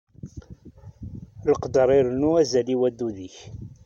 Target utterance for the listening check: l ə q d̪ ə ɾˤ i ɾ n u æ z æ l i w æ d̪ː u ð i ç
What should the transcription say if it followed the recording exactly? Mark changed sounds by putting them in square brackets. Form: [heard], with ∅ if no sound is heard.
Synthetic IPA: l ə q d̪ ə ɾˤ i ɾ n u æ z æ l i w æ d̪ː u ð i ç